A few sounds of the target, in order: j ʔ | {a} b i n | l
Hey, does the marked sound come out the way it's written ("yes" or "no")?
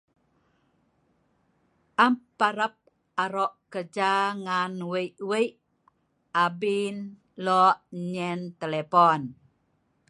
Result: yes